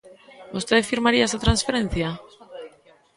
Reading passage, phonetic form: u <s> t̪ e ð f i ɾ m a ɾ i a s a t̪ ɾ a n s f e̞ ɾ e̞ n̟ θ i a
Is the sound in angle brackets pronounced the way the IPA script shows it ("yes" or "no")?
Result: yes